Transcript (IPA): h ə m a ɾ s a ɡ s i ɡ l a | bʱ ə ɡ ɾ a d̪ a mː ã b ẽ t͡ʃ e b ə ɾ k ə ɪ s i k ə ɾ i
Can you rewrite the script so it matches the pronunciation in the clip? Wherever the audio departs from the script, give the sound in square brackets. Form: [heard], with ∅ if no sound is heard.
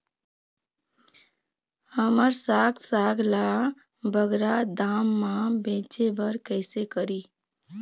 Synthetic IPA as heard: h ə m [ə] ɾ s a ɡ s [a] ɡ l a | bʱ ə ɡ ɾ a d̪ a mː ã b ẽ t͡ʃ e b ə ɾ k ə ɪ s [e] k ə ɾ i